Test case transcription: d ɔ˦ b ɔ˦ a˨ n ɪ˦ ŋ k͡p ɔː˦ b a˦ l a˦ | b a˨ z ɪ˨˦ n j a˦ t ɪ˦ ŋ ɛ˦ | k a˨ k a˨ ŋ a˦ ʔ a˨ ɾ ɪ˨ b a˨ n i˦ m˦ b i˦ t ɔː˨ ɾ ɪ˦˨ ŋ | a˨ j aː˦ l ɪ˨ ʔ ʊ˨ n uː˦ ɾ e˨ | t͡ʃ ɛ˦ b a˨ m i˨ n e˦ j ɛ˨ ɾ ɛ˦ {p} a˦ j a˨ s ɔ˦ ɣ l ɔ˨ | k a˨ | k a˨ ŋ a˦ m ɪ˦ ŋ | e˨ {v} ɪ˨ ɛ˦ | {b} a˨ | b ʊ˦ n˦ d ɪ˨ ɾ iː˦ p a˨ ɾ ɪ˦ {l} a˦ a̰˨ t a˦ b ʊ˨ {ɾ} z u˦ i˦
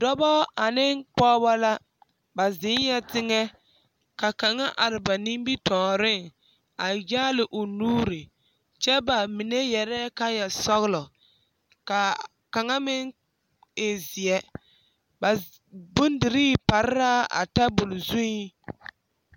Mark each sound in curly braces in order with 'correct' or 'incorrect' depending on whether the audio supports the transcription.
incorrect, incorrect, correct, incorrect, incorrect

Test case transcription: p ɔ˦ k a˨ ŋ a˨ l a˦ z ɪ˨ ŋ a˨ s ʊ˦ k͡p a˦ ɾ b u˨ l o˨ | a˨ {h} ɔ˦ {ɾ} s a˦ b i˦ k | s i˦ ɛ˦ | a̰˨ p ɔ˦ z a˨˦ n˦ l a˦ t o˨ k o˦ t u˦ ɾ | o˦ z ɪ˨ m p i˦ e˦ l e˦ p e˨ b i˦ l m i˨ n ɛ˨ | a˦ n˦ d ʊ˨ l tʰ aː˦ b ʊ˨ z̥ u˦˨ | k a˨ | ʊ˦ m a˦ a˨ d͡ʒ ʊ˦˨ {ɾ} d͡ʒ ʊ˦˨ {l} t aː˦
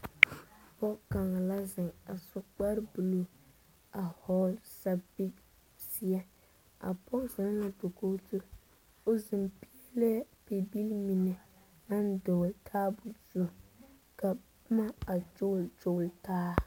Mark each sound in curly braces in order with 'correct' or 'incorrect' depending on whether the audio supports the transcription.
correct, incorrect, incorrect, correct

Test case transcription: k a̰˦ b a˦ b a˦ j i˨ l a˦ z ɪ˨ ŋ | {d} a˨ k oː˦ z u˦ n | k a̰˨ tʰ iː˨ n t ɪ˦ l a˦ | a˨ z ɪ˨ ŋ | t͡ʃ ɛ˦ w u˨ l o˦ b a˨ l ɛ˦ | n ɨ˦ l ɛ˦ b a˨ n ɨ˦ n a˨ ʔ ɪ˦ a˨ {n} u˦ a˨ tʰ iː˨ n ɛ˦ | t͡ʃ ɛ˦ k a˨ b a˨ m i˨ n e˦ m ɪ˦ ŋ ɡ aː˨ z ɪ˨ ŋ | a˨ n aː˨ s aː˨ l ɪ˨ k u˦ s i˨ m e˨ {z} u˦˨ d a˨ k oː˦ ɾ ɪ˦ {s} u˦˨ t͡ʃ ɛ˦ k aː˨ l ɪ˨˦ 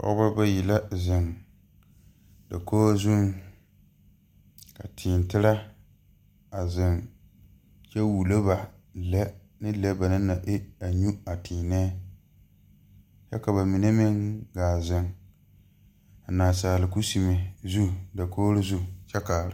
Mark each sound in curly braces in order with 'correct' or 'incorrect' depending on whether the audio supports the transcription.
correct, incorrect, correct, incorrect

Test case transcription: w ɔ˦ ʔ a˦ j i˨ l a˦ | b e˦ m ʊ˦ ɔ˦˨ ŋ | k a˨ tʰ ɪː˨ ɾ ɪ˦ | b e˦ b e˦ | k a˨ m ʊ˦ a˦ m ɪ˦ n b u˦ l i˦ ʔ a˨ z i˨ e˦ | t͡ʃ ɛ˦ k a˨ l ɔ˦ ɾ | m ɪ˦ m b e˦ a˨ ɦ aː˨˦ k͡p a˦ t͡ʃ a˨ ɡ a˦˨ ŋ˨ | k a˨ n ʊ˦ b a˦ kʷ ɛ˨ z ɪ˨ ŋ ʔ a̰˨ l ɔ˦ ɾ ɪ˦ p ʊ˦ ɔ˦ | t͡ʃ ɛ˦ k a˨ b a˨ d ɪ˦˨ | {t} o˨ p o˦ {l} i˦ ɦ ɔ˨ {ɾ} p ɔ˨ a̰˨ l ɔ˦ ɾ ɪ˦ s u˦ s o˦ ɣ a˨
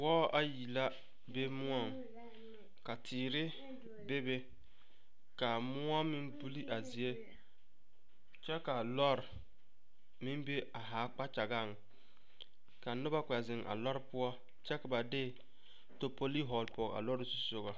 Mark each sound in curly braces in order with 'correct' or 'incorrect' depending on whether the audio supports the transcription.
correct, correct, incorrect

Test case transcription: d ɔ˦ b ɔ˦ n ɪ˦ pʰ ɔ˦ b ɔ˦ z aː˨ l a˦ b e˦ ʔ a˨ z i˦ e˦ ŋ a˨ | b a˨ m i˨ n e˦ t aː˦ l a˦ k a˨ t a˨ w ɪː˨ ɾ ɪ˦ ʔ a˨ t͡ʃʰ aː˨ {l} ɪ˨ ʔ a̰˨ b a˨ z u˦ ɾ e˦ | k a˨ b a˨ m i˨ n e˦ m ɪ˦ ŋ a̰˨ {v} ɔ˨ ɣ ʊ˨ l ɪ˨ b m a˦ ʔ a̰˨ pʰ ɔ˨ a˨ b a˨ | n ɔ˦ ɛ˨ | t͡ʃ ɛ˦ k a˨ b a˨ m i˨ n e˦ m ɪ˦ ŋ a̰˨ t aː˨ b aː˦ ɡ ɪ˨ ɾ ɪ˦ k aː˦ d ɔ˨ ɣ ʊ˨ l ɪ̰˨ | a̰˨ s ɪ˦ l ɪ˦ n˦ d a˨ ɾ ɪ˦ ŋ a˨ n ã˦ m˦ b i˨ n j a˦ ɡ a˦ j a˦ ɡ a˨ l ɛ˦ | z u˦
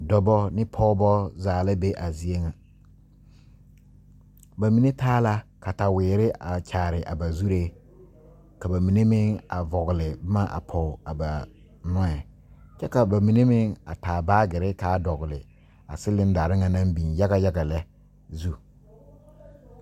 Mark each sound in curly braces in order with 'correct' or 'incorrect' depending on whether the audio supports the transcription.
incorrect, correct

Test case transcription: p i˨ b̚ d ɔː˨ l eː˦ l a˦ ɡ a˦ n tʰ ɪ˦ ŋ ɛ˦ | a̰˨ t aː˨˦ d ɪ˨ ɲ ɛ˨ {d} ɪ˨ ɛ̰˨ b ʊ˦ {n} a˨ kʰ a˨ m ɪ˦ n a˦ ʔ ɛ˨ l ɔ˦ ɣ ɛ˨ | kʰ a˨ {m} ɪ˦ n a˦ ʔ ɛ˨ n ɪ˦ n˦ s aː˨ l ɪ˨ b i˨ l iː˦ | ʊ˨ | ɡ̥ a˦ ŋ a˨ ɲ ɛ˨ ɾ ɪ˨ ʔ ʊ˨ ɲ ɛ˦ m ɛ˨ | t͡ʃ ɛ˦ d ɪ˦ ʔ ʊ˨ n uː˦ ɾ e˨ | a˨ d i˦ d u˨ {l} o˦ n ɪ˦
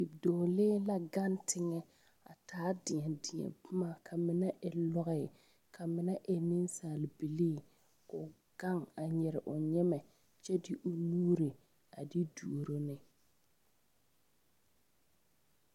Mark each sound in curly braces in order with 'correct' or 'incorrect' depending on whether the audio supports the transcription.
correct, incorrect, correct, incorrect

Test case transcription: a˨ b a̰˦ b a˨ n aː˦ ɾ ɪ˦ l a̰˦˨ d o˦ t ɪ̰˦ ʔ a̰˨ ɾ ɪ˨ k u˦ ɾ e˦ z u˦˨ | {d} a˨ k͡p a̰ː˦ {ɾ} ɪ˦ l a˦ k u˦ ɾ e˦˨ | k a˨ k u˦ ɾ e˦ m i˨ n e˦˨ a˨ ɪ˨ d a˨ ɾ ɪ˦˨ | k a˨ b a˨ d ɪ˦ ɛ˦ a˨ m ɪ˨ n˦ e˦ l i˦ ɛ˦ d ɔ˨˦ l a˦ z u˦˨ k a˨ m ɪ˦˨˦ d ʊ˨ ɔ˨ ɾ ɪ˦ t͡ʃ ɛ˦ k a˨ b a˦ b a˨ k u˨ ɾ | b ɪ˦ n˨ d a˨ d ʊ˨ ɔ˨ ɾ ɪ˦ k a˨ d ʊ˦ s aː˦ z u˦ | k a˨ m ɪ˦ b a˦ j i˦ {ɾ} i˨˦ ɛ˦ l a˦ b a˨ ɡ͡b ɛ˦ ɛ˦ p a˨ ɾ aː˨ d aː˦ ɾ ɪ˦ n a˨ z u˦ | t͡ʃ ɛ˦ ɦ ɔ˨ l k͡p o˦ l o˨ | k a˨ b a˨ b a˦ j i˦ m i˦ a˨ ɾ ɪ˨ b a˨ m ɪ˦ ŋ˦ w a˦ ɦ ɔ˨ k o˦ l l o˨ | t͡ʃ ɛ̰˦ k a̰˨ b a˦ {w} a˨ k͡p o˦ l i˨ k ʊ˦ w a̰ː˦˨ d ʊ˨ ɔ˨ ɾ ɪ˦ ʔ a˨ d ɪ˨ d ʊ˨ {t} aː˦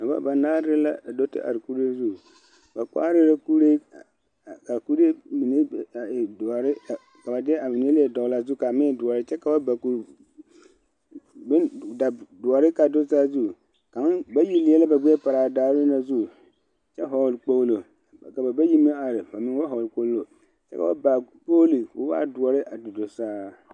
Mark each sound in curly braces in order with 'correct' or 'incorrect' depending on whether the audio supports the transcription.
incorrect, correct, incorrect, incorrect, incorrect

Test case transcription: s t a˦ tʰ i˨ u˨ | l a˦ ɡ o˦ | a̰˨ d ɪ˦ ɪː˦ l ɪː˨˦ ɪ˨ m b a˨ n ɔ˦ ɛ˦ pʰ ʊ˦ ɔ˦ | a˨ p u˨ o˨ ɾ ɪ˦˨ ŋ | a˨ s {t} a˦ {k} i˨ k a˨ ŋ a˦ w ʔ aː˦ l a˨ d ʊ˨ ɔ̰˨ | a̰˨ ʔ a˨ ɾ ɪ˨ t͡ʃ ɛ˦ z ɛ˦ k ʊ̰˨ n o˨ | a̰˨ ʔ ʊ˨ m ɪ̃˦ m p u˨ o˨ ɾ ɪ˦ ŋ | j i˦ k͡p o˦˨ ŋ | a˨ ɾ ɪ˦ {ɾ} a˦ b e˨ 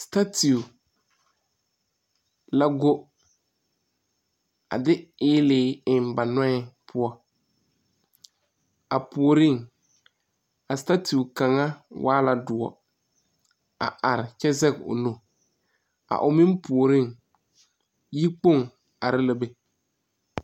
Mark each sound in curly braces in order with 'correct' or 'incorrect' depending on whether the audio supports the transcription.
correct, incorrect, incorrect

